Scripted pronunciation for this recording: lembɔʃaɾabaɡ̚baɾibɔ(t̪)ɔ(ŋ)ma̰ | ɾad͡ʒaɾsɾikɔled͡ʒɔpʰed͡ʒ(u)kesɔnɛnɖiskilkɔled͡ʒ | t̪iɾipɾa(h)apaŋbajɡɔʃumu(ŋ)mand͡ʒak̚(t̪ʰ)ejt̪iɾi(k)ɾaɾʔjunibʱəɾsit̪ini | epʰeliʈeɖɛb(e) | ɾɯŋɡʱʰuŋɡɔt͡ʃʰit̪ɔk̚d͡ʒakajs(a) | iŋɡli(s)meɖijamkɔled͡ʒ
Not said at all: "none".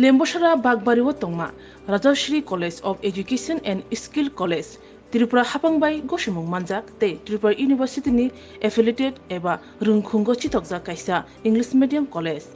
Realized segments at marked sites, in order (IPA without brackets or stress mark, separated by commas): t̪, ŋ, u, h, ŋ, t̪, p, a, a, s